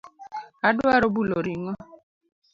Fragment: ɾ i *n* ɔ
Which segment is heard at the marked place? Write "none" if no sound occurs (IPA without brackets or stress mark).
ŋ